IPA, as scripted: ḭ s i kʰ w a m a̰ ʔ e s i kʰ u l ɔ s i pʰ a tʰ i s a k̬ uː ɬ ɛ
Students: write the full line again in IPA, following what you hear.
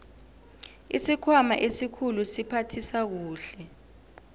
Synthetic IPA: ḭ s i kʰ w a m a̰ ʔ e s i kʰ u l u s i pʰ a tʰ i s a k̬ uː ɬ ɛ